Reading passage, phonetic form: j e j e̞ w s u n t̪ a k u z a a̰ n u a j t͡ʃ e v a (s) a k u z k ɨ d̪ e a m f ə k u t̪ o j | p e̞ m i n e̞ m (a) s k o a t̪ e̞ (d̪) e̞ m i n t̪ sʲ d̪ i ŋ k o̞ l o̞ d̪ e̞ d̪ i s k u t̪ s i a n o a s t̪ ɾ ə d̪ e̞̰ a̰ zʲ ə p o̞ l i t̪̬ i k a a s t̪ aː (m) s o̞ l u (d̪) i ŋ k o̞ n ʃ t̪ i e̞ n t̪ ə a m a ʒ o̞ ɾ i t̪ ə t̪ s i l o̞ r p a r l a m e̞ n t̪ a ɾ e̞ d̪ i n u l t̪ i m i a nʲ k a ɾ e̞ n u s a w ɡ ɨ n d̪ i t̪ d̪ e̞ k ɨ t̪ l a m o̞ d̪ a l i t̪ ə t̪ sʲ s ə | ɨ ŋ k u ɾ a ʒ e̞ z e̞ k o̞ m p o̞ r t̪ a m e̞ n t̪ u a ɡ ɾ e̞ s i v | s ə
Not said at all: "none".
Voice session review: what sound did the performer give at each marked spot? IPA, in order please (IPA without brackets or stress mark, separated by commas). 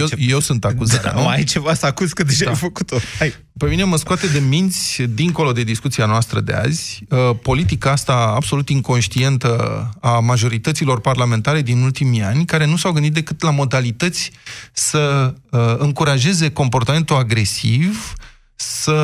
s, ə, d̪, b, t̪